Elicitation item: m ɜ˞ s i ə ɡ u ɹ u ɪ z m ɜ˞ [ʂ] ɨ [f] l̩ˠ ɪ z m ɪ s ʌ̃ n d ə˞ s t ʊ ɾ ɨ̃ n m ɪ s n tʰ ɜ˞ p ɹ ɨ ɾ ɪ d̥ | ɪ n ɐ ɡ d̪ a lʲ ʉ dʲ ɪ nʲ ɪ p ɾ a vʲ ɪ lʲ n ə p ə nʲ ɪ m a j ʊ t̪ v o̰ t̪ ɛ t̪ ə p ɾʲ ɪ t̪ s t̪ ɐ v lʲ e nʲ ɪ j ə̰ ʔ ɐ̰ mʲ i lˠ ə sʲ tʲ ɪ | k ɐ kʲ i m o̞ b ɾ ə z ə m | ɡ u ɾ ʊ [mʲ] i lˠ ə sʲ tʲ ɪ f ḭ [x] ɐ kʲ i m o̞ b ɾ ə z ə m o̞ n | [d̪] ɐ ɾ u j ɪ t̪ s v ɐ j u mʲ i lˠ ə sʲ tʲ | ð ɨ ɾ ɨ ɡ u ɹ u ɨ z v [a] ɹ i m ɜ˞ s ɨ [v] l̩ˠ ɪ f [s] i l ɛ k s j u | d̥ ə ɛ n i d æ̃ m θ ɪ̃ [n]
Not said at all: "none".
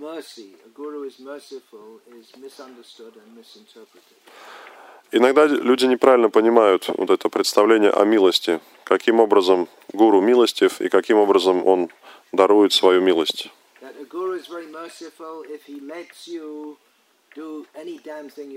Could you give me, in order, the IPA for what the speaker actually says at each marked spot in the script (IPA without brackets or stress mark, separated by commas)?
s, f, mʲ, k, d̪, ɛ, f, h, ŋ